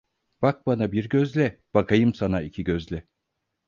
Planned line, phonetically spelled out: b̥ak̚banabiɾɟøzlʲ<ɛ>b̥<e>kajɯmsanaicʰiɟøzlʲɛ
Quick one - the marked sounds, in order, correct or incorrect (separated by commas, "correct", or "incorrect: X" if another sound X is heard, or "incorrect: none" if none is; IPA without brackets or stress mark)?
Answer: correct, incorrect: a